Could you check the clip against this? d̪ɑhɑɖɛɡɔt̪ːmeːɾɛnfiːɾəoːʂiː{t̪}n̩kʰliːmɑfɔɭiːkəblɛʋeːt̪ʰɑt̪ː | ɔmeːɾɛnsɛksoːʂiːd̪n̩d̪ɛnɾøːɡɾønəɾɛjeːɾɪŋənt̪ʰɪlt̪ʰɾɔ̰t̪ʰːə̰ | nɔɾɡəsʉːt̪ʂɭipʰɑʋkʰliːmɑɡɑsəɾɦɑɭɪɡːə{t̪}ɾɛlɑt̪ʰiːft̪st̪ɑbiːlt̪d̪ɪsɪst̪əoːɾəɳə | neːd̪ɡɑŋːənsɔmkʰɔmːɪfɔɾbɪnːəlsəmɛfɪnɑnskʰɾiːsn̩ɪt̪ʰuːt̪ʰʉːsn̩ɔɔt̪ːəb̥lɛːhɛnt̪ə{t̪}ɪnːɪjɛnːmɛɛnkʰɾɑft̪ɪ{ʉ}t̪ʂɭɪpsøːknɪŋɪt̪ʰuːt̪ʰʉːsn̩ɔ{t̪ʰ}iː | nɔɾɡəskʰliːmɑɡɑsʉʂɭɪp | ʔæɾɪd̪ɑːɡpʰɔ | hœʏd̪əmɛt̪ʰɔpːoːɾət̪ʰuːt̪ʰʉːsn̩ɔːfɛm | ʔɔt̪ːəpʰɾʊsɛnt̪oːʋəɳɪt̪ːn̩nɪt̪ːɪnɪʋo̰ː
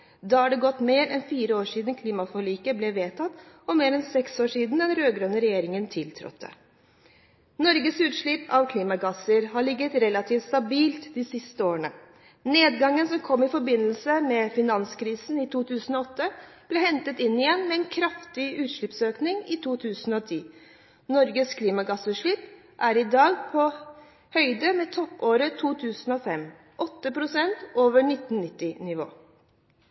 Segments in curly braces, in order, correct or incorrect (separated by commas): incorrect, correct, correct, incorrect, correct